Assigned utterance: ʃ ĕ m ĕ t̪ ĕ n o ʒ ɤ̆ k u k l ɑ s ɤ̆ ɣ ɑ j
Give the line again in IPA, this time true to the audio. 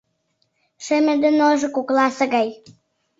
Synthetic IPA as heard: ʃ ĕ m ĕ d̪ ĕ n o ʒ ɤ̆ k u k l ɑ s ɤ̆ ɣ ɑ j